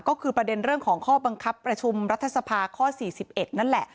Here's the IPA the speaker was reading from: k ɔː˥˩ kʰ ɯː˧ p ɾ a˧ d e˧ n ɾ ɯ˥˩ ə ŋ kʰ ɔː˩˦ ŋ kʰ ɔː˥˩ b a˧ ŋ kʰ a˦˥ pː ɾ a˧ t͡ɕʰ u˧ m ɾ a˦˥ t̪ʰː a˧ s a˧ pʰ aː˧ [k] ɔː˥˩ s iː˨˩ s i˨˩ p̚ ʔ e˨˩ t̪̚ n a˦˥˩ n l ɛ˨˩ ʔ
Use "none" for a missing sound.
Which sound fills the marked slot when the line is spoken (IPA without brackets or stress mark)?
kʰ